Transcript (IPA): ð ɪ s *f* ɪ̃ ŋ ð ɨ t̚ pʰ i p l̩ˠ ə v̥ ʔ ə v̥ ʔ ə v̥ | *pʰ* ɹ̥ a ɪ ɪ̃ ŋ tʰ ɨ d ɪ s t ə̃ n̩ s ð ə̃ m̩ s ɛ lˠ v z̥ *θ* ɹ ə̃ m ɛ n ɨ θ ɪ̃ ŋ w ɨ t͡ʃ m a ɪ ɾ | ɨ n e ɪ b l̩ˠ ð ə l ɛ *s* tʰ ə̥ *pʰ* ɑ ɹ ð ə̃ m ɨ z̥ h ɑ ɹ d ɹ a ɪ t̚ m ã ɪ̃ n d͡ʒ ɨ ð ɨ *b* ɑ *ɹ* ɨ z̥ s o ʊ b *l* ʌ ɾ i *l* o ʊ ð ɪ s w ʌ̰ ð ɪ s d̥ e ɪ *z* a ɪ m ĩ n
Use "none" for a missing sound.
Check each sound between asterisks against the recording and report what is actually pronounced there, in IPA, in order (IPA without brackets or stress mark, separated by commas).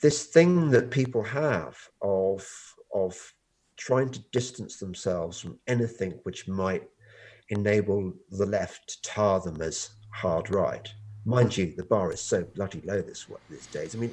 θ, tʰ, f, f, tʰ, b, ɹ, l, l, z